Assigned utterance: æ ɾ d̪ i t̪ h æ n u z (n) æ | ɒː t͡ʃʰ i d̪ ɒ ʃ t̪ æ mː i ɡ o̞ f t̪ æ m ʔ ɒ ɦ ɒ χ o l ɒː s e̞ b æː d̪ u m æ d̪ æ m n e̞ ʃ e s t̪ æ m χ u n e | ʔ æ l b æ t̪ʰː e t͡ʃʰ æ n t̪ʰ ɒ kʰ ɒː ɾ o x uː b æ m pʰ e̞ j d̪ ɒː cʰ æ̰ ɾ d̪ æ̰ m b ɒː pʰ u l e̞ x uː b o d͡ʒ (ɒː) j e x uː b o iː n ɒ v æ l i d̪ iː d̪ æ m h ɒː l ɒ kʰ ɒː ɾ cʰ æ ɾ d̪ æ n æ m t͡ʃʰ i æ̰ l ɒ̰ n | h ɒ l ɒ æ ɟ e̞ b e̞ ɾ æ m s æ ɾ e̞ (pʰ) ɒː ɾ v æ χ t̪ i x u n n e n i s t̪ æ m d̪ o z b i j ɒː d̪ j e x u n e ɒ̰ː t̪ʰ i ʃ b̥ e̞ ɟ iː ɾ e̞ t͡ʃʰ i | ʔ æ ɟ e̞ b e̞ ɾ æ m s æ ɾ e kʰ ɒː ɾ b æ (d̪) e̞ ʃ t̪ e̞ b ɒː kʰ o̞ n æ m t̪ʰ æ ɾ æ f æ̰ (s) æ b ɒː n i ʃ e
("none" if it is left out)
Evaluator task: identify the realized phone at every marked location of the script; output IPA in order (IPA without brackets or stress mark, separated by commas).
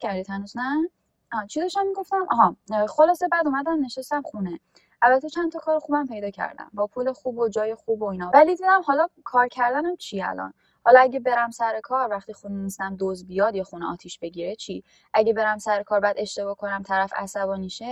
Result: n, ɒː, kʰ, d̪, s